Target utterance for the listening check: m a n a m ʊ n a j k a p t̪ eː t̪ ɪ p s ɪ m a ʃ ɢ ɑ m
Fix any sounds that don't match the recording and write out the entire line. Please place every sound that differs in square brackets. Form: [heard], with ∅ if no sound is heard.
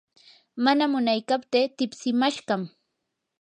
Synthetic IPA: m a n a m ʊ n a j k a p t̪ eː t̪ ɪ p s ɪ m a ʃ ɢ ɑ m